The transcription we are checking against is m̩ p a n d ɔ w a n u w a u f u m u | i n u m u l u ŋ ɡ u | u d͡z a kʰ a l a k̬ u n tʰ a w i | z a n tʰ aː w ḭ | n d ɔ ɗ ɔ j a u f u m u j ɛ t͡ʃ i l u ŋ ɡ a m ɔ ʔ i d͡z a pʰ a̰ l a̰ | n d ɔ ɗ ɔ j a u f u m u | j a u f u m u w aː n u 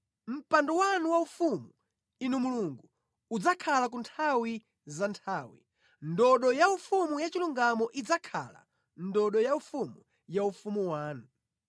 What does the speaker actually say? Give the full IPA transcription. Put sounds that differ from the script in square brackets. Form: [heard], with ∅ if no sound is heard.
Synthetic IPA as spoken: m̩ p a n d ɔ w a n u w a u f u m u | i n u m u l u ŋ ɡ u | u d͡z a kʰ a l a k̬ u n tʰ a w i | z a n tʰ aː w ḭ | n d ɔ ɗ ɔ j a u f u m u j [a] t͡ʃ i l u ŋ ɡ a m ɔ ʔ i d͡z a [kʰ] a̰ l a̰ | n d ɔ ɗ ɔ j a u f u m u | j a u f u m u w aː n u

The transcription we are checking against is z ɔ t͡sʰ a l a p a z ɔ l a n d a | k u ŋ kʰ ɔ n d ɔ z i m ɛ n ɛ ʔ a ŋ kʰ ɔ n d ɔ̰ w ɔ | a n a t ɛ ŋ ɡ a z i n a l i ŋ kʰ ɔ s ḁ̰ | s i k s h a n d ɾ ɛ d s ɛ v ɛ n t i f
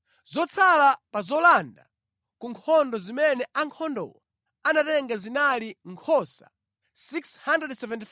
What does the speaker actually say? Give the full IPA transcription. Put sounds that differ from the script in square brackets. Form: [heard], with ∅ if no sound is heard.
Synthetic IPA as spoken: z ɔ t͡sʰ a l a p a z ɔ l a n d a | k u ŋ kʰ ɔ n d ɔ z i m ɛ n ɛ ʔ a ŋ kʰ ɔ n d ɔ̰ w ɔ | a n a t ɛ ŋ ɡ a z i n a l i ŋ kʰ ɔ s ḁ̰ | s i k s h a n d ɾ ɛ d s ɛ v ɛ n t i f

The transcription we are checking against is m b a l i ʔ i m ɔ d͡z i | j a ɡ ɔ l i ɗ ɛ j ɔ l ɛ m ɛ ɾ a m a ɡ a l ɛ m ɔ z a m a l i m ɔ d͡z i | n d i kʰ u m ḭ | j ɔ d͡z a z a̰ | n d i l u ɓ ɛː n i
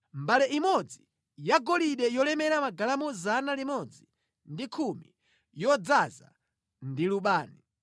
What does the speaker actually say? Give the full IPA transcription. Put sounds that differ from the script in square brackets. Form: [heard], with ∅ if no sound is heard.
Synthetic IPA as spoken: m b a l [ɛ] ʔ i m ɔ d͡z i | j a ɡ ɔ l i ɗ ɛ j ɔ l ɛ m ɛ ɾ a m a ɡ a l [a] m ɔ z a [n] a l i m ɔ d͡z i | n d i kʰ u m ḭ | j ɔ d͡z a z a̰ | n d i l u ɓ [aː] n i

